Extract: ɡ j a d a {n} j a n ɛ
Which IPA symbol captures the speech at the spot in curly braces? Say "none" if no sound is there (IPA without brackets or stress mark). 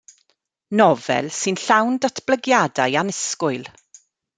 none